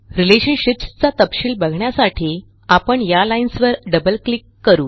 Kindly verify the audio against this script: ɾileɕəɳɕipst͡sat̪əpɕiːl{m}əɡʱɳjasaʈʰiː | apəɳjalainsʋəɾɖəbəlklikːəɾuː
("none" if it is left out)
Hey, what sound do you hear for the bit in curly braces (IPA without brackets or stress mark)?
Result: b